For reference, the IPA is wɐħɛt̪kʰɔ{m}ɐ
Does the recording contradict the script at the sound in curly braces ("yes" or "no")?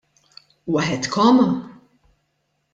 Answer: no